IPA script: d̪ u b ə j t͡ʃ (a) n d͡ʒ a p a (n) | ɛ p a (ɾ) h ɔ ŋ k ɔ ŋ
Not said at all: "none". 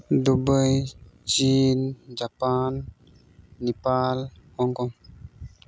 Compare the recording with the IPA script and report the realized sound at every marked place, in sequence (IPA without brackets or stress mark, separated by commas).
i, nː, l